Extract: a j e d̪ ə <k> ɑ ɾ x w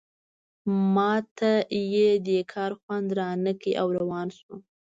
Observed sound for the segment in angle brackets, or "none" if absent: kʰ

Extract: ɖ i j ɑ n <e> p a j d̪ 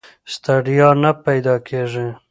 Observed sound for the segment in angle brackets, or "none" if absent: a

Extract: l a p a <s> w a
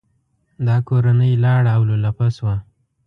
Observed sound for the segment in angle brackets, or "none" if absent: s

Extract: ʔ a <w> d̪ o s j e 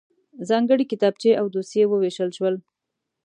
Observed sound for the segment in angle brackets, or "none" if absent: w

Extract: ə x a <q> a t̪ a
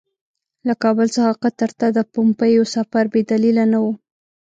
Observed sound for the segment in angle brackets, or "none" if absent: q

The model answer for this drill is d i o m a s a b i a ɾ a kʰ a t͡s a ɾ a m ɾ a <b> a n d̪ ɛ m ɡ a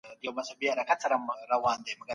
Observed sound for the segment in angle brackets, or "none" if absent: w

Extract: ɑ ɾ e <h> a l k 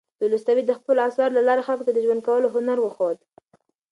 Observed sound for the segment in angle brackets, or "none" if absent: x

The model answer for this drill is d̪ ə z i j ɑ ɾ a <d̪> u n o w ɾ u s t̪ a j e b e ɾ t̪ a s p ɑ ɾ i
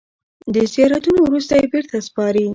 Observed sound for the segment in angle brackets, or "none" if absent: t̪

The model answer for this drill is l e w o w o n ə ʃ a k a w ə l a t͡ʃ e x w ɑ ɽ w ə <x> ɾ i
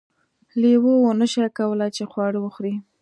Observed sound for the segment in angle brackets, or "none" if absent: x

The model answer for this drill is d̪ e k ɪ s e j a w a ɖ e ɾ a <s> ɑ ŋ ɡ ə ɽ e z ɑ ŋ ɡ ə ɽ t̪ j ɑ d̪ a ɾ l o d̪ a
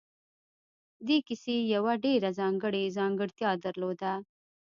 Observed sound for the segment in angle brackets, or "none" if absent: z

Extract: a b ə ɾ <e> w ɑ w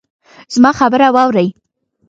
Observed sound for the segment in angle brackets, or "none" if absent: a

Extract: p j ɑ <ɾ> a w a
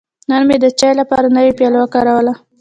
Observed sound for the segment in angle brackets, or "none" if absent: l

